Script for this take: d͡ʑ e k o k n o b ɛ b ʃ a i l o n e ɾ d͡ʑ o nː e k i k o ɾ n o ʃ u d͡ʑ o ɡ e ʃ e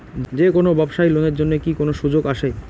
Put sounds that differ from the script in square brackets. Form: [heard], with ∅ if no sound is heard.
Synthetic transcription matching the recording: d͡ʑ e k o [∅] n o b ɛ b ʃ a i l o n e ɾ d͡ʑ o nː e k i k o [∅] n o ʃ u d͡ʑ o ɡ [a] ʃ e